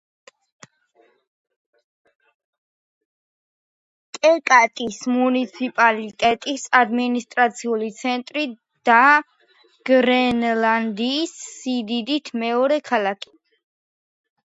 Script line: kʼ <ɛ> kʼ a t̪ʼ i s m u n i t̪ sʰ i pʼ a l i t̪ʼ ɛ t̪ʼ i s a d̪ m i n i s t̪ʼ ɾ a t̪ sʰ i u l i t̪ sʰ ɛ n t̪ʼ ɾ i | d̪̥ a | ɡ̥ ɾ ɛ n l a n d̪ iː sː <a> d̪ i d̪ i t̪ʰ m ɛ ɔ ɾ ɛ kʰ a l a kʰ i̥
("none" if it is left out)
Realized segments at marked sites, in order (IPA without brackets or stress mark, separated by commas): ɛ, i